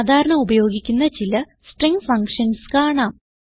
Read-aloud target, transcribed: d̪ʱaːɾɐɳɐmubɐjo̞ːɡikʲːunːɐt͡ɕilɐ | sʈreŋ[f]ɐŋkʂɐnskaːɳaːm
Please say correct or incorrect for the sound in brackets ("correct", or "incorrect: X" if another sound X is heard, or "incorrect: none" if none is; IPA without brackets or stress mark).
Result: correct